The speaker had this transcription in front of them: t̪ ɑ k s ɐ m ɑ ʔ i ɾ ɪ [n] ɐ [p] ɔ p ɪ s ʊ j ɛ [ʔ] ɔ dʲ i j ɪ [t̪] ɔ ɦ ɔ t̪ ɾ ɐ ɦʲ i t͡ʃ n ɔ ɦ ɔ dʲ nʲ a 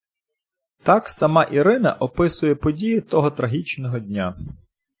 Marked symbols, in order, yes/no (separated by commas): yes, no, no, yes